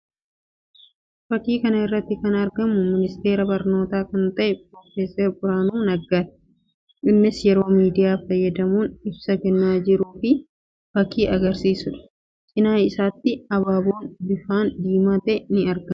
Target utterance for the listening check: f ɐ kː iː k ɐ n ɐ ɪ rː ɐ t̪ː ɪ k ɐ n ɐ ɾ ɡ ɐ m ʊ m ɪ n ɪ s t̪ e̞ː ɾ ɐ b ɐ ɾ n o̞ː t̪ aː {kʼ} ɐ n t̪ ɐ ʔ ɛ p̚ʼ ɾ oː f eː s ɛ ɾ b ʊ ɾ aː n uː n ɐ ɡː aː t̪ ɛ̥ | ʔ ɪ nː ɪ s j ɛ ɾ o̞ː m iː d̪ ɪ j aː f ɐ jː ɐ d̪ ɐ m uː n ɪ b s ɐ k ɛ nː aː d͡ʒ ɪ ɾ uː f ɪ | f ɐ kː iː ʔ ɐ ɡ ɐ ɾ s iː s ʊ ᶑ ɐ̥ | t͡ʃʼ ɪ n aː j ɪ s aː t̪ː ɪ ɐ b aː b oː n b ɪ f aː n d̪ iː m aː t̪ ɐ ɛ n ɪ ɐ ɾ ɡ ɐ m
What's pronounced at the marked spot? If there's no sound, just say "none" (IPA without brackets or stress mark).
k